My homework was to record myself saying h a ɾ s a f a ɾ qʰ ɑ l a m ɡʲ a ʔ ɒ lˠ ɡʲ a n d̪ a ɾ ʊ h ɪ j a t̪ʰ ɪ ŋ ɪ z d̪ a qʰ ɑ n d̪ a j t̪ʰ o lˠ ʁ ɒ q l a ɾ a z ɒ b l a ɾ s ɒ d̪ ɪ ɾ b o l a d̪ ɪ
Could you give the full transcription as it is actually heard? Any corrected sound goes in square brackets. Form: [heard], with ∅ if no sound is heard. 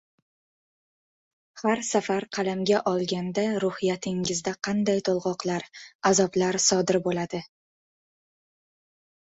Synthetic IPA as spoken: h a ɾ s a f a ɾ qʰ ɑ l a m ɡʲ a ʔ ɒ lˠ ɡʲ a n d̪ a ɾ ʊ h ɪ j a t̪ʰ ɪ ŋ ɪ z d̪ a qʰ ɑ n d̪ a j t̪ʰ o lˠ ʁ ɒ q l a ɾ a z ɒ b l a ɾ s ɒ d̪ ɪ ɾ b o l a d̪ ɪ

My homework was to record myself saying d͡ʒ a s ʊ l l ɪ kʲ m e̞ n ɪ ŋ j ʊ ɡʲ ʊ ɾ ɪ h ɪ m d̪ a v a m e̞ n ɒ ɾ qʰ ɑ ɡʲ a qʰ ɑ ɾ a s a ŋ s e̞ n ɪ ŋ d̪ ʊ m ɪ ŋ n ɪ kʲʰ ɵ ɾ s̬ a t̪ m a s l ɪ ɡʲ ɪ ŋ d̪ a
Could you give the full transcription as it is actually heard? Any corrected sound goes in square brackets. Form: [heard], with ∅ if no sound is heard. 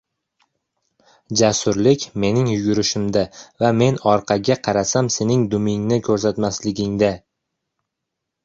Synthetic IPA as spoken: d͡ʒ a s ʊ [ɾ] l ɪ kʲ m e̞ n ɪ ŋ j ʊ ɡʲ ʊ ɾ ɪ [ʃ] ɪ m d̪ a v a m e̞ n ɒ ɾ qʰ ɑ ɡʲ a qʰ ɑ ɾ a s a [m] s e̞ n ɪ ŋ d̪ ʊ m ɪ ŋ n ɪ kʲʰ ɵ ɾ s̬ a t̪ m a s l ɪ ɡʲ ɪ ŋ d̪ a

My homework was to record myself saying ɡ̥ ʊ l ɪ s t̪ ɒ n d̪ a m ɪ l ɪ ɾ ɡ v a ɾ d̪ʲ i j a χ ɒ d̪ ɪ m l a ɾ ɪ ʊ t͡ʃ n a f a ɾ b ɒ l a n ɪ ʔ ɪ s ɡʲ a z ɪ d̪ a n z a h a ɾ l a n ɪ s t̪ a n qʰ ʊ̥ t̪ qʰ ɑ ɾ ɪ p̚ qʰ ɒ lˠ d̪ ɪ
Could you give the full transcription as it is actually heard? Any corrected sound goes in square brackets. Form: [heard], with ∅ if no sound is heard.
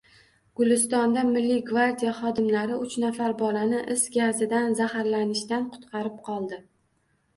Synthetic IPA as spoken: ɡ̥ ʊ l ɪ s t̪ ɒ n d̪ a m ɪ [lː] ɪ [∅] ɡ v a ɾ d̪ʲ i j a χ ɒ d̪ ɪ m l a ɾ ɪ ʊ t͡ʃ n a f a ɾ b ɒ l a n ɪ ʔ ɪ s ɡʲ a z ɪ d̪ a n z a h a ɾ l a n ɪ [ʃ] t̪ a n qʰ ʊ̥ t̪ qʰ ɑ ɾ ɪ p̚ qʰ ɒ lˠ d̪ ɪ

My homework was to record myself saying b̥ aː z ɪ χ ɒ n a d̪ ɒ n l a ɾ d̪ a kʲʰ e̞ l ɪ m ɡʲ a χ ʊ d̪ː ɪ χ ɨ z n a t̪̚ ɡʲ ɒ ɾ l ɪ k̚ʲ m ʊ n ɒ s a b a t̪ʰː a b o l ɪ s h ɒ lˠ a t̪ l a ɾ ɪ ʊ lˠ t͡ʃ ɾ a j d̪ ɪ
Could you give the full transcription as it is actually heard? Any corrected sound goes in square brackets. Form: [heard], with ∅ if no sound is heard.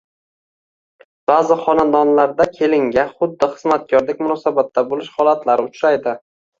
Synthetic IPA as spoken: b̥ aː z ɪ χ ɒ n a d̪ ɒ n l a ɾ d̪ a kʲʰ e̞ l ɪ [ŋ] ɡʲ a χ ʊ d̪ː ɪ χ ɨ z [m] a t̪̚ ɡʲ ɒ ɾ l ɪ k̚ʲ m ʊ n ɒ s a b a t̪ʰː a b o l ɪ [ʃ] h ɒ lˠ a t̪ l a ɾ ɪ ʊ [∅] t͡ʃ ɾ a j d̪ ɪ

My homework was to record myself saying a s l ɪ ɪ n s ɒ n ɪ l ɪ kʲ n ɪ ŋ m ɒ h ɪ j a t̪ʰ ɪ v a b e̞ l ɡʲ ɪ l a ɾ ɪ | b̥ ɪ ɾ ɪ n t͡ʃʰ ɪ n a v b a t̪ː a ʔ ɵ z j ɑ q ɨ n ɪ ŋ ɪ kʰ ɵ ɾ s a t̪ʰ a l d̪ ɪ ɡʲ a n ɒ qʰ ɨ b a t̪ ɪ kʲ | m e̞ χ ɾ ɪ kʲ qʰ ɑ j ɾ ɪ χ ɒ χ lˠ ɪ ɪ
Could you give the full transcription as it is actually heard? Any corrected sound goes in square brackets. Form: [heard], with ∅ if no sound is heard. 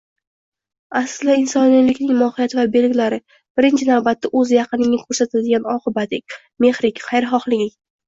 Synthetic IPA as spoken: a s l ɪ ɪ n s ɒ n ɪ l ɪ kʲ n ɪ ŋ m ɒ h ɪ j a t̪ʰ ɪ v a b e̞ l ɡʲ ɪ l a ɾ ɪ | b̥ ɪ ɾ ɪ n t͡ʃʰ ɪ n a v b a t̪ː a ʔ ɵ z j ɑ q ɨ n ɪ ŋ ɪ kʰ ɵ ɾ s a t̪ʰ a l d̪ ɪ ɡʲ a n ɒ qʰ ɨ b a t̪ ɪ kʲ | m e̞ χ ɾ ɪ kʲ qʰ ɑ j ɾ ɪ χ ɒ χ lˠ ɪ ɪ

